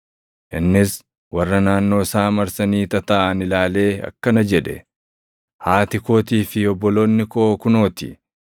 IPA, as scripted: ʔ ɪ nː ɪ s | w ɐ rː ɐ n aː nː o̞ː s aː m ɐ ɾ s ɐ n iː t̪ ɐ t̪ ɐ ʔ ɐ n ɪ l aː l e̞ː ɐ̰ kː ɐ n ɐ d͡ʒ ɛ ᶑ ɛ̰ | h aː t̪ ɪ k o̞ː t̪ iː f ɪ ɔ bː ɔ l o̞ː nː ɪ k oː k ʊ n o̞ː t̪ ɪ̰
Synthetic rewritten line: ʔ ɪ nː ɪ s | w ɐ rː ɐ n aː nː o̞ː s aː m ɐ ɾ s ɐ n iː t̪ ɐ t̪ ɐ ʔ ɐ n ɪ l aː l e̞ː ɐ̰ kː ɐ n ɐ d͡ʒ ɛ ᶑ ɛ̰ | h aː t̪ ɪ k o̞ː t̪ iː f ɪ ɔ bː ɔ l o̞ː nː ɪ k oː k ʊ n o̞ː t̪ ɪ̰